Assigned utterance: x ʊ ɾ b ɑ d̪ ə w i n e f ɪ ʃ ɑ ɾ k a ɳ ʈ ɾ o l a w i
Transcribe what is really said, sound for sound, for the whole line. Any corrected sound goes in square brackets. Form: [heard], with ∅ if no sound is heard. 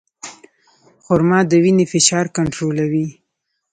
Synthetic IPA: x ʊ ɾ [m] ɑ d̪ ə w i n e f ɪ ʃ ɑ ɾ k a ɳ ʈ ɾ o l a w i

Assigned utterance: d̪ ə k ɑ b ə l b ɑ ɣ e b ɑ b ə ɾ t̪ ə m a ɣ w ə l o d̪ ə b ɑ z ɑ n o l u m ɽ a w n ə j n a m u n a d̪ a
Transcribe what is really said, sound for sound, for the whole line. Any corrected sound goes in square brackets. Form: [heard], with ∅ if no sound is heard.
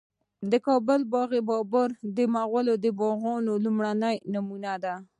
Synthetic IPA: d̪ ə k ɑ b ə l b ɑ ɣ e b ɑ b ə ɾ [d̪] ə m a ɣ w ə l o d̪ ə b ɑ [ɣ] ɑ n o l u m ɽ a [∅] n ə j n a m u n a d̪ a

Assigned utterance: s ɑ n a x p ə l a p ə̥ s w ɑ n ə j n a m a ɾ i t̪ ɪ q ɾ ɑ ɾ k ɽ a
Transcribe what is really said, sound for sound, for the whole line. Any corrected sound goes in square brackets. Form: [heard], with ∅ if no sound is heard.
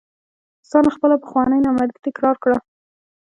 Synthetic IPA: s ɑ n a x p ə l a p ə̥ [x] w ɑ n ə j n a m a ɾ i t̪ ɪ [k] ɾ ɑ ɾ k ɽ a

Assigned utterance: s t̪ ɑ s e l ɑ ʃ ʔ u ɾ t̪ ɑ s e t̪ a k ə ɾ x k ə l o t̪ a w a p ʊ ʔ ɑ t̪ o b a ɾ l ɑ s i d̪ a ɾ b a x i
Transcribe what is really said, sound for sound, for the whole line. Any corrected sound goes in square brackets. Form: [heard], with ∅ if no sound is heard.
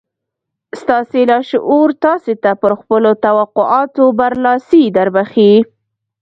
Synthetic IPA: s t̪ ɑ s e l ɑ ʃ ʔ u ɾ t̪ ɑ s e t̪ a [p] ə ɾ x [p] ə l o t̪ a w a [q] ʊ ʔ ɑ t̪ o b a ɾ l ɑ s i d̪ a ɾ b a x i

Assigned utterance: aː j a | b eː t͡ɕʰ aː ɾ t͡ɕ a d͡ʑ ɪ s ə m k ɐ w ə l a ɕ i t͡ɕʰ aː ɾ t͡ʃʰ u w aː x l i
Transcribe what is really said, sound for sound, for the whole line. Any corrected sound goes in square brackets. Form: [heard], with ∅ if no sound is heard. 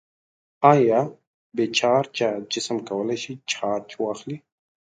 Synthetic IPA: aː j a | b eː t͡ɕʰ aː ɾ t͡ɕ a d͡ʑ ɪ s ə m k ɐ w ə l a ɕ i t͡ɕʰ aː ɾ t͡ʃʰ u w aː x l i

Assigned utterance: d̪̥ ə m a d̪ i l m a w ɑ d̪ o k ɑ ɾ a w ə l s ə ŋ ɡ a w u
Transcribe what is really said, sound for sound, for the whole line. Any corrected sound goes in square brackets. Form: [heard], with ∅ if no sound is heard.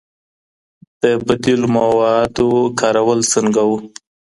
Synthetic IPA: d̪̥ ə [b] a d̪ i l m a w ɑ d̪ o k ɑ ɾ a w ə l s ə ŋ ɡ a w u

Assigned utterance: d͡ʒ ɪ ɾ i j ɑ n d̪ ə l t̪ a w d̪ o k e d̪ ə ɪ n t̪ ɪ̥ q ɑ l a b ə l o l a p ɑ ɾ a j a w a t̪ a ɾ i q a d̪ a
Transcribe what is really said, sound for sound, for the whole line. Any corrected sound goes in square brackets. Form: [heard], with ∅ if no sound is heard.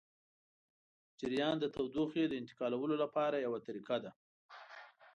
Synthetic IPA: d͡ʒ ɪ ɾ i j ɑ n d̪ ə [∅] t̪ a w d̪ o [x] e d̪ ə ɪ n t̪ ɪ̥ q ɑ l a [w] ə l o l a p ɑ ɾ a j a w a t̪ a ɾ i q a d̪ a

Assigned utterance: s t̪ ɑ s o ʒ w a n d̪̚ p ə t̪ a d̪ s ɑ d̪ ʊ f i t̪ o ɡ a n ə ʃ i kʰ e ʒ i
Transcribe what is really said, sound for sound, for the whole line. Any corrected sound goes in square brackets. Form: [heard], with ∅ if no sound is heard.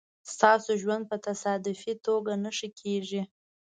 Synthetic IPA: s t̪ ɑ s o ʒ w a n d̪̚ p ə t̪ a [∅] s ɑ d̪ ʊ f i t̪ o ɡ a n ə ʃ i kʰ e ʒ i

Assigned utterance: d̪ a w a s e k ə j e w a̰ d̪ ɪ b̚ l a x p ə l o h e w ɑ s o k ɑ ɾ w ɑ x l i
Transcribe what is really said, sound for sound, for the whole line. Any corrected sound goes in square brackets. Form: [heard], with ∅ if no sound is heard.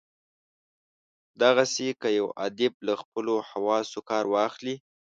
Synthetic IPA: d̪ a [ɣ] a s e k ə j [a] w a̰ d̪ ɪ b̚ l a x p ə l o h [a] w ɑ s o k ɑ ɾ w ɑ x l i

